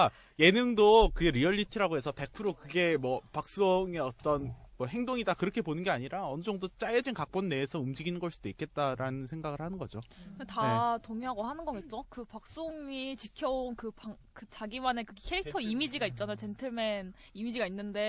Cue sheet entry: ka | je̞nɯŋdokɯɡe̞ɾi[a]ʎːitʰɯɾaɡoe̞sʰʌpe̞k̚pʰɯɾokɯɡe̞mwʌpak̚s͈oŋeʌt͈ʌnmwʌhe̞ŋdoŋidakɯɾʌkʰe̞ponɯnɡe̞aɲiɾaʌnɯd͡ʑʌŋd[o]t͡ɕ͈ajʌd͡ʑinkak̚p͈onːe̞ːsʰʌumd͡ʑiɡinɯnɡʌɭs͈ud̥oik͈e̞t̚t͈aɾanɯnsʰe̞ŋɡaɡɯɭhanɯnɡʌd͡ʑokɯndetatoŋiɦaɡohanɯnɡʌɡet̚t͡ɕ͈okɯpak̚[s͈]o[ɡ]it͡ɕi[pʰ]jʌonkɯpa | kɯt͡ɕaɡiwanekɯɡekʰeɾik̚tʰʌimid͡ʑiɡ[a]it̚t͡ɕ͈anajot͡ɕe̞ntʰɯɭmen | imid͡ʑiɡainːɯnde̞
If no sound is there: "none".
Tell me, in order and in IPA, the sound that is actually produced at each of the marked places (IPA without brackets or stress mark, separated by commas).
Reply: ʌ, o, s͈, ŋ, kʰ, a